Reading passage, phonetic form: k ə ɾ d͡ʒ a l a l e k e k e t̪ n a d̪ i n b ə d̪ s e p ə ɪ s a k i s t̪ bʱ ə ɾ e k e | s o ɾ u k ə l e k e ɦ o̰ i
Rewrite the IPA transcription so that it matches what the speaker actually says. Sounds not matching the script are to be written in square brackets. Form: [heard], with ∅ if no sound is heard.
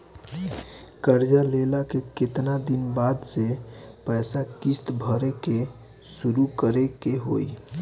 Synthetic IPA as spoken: k ə ɾ d͡ʒ a l [e] l [a] k e k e t̪ n a d̪ i n b [a] d̪ s e p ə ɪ s a k i s t̪ bʱ ə ɾ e k e | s [u] ɾ u k ə [ɾ] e k e ɦ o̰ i